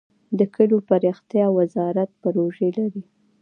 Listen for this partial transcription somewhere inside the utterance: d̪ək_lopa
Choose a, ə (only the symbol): ə